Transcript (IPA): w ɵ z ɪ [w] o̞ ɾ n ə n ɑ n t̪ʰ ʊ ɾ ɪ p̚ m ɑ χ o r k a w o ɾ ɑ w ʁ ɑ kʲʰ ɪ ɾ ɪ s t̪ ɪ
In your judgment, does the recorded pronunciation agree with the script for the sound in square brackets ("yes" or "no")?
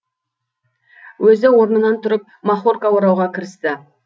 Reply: yes